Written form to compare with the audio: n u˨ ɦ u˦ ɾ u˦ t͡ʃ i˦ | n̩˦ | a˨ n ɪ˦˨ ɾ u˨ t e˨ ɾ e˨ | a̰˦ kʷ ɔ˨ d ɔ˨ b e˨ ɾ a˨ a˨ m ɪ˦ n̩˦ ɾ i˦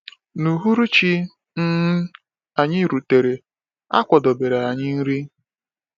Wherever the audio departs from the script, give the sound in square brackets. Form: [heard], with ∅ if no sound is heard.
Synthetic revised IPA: n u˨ ɦ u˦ ɾ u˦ t͡ʃ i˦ | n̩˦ | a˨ [ɲ] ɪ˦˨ ɾ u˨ t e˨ ɾ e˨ | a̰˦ kʷ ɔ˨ d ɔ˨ b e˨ ɾ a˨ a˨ [ɲ] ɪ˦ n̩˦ ɾ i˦